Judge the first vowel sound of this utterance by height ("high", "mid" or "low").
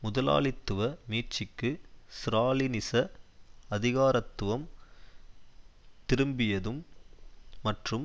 high